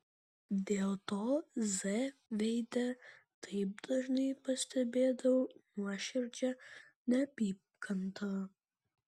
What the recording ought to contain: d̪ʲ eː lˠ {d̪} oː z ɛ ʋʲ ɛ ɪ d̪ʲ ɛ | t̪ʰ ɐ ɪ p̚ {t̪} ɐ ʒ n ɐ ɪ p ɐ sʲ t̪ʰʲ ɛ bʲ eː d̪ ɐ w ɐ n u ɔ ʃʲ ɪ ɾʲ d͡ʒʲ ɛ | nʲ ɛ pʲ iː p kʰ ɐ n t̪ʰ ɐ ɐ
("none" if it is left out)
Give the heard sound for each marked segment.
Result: t̪, d̪

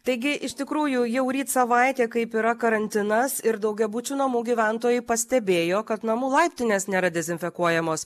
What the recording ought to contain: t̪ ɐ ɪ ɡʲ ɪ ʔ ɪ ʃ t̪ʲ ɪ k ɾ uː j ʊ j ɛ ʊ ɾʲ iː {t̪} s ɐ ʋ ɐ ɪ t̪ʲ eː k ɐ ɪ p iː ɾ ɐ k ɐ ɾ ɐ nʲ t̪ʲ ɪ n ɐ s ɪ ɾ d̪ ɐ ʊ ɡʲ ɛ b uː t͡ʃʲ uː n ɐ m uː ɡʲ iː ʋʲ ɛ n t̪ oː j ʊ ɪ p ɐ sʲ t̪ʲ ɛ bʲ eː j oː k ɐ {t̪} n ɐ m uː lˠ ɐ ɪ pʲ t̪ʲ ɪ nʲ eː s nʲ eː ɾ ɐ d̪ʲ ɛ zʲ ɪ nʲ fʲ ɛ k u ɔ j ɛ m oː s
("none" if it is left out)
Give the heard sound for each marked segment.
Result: t̪, t̪

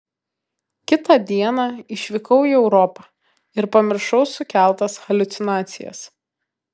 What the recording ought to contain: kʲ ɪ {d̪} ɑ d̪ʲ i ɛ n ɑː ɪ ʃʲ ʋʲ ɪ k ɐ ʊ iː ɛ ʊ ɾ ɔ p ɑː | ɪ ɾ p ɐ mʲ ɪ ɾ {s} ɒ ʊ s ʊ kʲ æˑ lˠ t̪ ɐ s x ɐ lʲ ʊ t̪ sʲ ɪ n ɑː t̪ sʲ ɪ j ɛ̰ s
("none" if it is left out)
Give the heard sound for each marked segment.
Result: t̪, ʃ

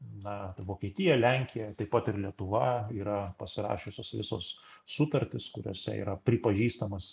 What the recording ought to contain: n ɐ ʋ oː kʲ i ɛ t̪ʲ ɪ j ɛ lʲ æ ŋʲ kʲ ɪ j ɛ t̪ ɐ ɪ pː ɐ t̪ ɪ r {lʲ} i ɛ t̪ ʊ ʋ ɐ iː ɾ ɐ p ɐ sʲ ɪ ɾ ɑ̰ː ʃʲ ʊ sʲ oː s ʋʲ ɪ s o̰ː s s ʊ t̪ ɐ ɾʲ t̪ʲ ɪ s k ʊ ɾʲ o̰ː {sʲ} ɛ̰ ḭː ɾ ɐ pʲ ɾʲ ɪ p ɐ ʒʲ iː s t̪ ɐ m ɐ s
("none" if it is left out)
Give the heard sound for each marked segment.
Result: lʲ, sʲ

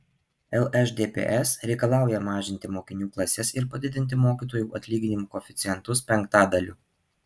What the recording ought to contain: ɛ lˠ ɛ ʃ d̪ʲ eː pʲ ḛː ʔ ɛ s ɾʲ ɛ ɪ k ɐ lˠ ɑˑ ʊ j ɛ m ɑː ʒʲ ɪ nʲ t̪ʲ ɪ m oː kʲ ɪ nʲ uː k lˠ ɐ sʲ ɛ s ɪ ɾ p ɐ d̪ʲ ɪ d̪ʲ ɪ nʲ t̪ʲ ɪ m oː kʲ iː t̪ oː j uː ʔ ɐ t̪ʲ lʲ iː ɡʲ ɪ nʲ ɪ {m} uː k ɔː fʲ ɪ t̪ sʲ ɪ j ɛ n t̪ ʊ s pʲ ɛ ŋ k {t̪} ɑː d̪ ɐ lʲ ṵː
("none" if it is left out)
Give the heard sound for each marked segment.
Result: m, t̪

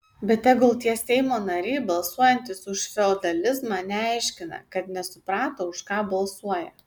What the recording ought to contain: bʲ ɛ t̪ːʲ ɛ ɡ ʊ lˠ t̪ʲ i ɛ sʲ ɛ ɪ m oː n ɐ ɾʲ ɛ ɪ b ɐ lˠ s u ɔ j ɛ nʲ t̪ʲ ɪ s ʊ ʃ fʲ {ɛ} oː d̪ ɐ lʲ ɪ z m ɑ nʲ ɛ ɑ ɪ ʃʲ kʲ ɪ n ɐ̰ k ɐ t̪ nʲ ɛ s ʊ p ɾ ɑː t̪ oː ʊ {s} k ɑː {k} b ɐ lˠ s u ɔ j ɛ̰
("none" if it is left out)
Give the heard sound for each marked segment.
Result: ɛ, ʃ, none

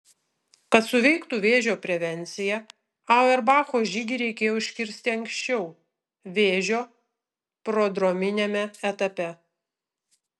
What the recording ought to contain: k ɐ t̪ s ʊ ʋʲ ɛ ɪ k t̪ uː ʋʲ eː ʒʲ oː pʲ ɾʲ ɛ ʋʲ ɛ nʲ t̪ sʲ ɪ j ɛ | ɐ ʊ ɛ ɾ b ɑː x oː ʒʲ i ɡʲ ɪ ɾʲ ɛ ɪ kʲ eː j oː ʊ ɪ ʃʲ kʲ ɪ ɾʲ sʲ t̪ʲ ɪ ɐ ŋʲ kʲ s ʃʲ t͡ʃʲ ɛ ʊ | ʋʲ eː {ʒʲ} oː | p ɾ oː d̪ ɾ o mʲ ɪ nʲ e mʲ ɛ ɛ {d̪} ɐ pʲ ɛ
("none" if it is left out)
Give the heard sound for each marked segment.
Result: ʒʲ, t̪

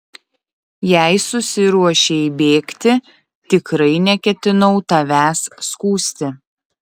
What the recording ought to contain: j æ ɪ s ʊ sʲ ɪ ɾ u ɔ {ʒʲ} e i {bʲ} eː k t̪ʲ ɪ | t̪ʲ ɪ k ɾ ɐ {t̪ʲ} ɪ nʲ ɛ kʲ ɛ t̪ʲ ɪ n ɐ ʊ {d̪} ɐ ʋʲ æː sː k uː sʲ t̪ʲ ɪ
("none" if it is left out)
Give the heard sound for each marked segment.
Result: ʃʲ, bʲ, none, t̪

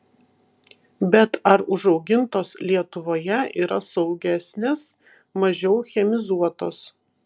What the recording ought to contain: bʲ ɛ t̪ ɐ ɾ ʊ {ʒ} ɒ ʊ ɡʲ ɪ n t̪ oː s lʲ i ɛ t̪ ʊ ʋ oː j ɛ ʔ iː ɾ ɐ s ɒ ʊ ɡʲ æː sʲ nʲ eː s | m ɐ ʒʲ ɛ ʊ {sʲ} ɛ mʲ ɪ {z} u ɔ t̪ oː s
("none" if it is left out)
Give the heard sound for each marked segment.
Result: ʒ, xʲ, z

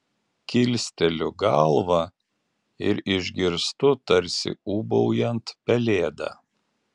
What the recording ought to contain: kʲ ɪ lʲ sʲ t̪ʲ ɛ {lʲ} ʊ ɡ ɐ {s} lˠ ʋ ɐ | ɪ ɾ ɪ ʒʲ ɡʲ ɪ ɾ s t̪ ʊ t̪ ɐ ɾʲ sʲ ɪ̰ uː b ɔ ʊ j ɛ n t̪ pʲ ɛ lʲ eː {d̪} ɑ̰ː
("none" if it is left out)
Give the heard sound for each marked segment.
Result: lʲ, none, d̪

